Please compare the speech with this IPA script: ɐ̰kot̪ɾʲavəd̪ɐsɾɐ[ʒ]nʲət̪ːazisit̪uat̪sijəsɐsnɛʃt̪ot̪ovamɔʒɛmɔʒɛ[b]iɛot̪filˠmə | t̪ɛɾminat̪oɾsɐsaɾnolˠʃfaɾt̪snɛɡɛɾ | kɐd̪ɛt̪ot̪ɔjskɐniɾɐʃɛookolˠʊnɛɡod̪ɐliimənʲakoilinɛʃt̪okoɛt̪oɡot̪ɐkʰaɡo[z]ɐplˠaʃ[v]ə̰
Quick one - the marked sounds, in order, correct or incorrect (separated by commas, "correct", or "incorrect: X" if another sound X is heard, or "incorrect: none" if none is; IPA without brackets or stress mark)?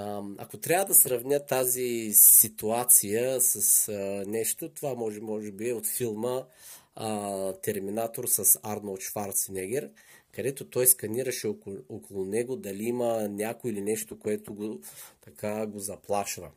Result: incorrect: v, correct, correct, correct